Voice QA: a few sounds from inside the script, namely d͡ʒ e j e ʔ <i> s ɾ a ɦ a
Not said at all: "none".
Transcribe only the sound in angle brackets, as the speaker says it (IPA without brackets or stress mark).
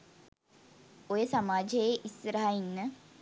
i